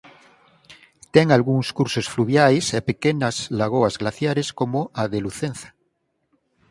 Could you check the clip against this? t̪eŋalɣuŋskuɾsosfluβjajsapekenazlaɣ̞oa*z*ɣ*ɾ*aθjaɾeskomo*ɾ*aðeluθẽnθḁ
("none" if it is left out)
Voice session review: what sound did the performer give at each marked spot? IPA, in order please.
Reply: z, l, none

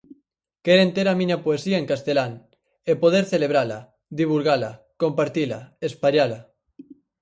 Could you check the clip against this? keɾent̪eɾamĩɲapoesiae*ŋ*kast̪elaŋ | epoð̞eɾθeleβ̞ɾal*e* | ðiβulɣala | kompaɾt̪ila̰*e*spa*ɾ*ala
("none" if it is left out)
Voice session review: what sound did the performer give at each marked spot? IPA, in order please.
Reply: ŋ, a, e, ʎ

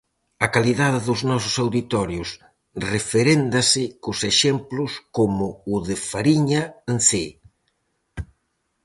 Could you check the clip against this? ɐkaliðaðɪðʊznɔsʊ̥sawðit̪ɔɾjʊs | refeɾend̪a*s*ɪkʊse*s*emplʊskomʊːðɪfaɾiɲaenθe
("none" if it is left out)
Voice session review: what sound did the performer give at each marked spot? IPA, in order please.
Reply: s, ʃ

